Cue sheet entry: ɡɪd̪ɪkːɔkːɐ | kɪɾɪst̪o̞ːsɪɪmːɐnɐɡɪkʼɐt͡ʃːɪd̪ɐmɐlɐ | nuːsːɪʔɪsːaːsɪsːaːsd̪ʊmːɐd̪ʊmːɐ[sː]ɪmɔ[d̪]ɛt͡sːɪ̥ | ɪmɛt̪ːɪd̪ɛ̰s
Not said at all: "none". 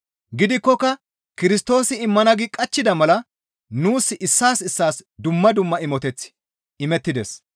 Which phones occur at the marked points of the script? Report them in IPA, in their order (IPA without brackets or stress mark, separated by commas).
none, t̪